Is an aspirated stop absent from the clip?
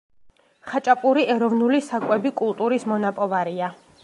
yes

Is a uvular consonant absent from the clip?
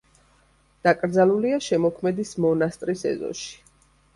yes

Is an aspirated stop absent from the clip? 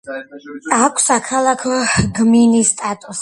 no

